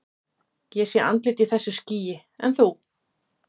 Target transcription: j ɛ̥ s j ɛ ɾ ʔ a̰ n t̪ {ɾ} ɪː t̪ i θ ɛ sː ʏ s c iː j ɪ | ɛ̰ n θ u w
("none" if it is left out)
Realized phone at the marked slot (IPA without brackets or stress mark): l